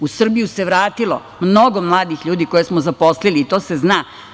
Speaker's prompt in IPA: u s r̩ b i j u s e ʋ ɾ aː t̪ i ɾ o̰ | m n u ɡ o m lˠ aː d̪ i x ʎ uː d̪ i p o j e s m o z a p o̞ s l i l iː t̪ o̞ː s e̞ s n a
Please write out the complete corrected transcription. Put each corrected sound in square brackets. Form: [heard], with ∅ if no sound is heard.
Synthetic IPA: u s r̩ b i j u s e ʋ ɾ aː t̪ i [l] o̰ | m n [o] ɡ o m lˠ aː d̪ i x ʎ uː d̪ i [k] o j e s m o z a p o̞ s l i l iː t̪ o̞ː s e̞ [z] n a